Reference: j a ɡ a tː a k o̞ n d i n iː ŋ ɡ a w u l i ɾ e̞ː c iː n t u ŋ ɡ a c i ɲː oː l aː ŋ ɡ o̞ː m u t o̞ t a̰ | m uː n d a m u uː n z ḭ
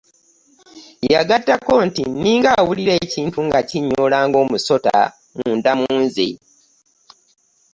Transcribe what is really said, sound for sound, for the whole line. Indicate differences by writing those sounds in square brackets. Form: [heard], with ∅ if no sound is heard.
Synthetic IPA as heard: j a ɡ a tː a k o̞ n [t] i n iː ŋ ɡ a w u l i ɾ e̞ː c iː n t u ŋ ɡ a c i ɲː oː l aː ŋ ɡ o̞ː m u [s] o̞ t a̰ | m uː n d a m u uː n z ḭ